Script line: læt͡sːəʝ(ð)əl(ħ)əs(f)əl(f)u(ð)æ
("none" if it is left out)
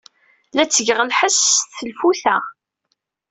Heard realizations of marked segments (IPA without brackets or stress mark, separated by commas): ʁ, ħ, θ, f, θ